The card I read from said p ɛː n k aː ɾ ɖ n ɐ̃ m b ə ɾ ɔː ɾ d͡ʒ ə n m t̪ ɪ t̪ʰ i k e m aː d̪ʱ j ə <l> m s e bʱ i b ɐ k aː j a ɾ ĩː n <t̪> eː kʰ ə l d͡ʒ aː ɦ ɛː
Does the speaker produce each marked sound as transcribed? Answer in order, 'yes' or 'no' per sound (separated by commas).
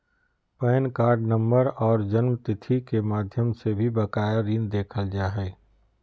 no, no